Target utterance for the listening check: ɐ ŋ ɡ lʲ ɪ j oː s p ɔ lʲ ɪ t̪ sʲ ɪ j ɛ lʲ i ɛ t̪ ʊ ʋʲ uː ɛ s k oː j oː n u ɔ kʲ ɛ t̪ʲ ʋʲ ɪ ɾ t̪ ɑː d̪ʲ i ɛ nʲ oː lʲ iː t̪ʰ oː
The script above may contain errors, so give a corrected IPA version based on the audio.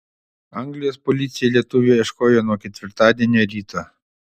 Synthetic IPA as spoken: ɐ ŋ ɡ lʲ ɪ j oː s p ɔ lʲ ɪ t̪ sʲ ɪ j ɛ lʲ i ɛ t̪ ʊ ʋʲ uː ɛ ʃ k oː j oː n u ɔ kʲ ɛ t̪ʲ ʋʲ ɪ ɾ t̪ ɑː d̪ʲ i ɛ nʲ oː ɾʲ iː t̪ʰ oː